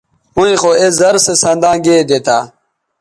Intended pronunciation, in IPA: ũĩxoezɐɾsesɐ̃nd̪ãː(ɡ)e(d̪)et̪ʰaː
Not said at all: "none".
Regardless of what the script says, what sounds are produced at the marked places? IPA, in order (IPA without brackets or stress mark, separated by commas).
ɡ, d̪